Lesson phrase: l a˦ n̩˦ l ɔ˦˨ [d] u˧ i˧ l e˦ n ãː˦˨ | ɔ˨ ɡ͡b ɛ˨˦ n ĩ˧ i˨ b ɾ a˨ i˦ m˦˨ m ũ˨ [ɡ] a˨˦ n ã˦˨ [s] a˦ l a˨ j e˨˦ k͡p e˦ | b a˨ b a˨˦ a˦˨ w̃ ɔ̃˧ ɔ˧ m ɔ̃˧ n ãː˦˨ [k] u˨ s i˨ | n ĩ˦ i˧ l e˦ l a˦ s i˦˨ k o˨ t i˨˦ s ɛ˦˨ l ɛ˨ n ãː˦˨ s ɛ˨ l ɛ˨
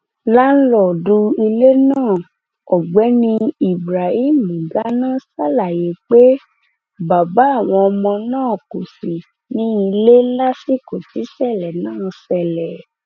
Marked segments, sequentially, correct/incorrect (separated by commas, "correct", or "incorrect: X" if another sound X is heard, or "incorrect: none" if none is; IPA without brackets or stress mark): correct, correct, correct, correct